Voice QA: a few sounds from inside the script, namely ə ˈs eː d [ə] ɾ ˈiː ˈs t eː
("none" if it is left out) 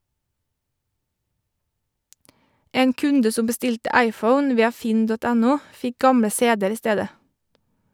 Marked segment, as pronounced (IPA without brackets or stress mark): ə